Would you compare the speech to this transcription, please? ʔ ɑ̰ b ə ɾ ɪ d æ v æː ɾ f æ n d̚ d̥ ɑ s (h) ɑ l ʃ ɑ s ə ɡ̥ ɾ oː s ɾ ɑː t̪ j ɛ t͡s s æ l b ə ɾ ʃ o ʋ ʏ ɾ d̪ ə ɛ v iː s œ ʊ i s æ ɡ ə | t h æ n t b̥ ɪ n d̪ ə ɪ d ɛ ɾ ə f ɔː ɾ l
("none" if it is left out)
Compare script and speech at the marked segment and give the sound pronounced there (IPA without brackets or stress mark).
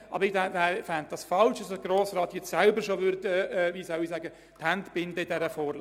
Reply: f